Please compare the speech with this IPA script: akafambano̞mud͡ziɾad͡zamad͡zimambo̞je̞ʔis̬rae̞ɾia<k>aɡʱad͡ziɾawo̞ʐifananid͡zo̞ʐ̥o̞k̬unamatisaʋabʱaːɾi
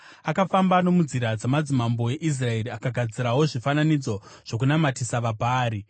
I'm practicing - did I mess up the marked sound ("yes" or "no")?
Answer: no